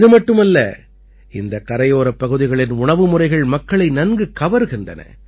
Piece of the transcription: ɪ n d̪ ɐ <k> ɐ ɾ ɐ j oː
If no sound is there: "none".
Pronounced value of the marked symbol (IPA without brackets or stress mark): k